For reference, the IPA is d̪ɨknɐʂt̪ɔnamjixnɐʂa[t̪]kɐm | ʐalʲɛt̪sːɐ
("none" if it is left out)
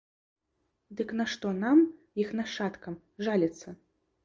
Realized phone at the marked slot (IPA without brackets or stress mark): t̪